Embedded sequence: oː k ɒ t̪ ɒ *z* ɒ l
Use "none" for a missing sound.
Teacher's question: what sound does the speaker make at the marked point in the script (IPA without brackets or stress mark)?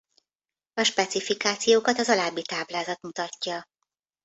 z